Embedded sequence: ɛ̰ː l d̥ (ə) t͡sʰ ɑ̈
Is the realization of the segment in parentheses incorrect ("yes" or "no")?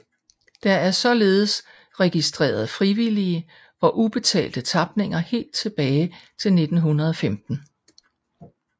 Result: no